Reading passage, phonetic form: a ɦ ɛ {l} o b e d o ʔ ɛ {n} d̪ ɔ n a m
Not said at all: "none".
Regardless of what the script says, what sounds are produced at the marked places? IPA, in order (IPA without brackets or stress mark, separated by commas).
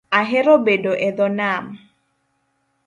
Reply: ɾ, none